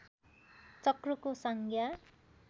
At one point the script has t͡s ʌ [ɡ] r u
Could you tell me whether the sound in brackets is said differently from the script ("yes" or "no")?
yes